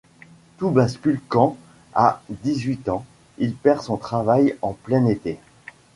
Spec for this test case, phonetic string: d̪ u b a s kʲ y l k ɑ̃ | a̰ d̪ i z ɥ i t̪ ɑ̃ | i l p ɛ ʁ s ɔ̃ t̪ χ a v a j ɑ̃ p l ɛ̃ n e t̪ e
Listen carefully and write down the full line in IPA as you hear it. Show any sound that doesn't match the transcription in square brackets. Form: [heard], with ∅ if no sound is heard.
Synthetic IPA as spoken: [t̪] u b a s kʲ y l k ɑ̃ | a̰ d̪ i z ɥ i t̪ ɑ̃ | i l p ɛ ʁ s ɔ̃ t̪ χ a v a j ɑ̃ p l [ɛ] n e t̪ e